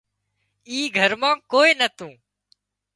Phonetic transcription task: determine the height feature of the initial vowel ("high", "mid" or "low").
high